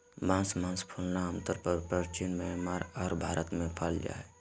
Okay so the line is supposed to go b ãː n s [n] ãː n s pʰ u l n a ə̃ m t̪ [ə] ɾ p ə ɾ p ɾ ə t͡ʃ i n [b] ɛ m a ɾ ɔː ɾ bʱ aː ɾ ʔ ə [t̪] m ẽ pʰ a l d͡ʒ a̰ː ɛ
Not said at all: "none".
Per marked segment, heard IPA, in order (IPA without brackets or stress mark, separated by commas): m, ə, m, t̪